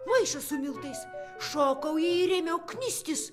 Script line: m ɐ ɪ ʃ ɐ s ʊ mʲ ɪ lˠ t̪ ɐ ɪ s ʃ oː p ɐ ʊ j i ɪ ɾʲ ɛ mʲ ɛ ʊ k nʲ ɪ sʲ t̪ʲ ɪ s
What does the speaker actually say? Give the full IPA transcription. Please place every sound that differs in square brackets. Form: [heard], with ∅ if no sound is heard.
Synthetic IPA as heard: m ɐ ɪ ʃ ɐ s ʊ mʲ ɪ lˠ t̪ ɐ ɪ s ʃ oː [k] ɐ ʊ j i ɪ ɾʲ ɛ mʲ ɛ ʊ k nʲ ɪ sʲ t̪ʲ ɪ s